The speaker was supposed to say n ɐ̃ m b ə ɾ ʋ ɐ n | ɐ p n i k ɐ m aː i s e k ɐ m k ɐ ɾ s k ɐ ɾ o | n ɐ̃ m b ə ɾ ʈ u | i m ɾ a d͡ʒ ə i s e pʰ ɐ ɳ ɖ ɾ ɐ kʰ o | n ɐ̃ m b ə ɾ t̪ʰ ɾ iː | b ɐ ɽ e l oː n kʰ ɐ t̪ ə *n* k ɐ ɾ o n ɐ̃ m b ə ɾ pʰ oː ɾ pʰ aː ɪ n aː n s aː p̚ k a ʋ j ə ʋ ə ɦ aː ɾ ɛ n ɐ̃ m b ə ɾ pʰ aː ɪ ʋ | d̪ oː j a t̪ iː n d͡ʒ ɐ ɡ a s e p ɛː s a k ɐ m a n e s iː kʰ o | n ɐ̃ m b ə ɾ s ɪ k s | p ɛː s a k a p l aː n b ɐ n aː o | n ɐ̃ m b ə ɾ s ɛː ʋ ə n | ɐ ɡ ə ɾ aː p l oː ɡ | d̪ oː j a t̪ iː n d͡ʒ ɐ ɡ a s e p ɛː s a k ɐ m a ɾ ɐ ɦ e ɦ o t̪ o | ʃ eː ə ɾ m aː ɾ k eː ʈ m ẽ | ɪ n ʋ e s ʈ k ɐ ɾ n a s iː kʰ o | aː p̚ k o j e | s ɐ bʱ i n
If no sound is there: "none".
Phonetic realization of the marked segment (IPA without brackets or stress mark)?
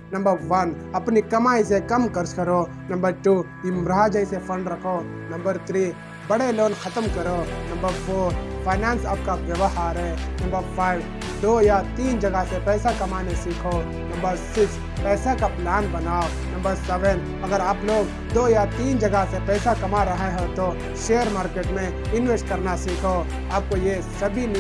m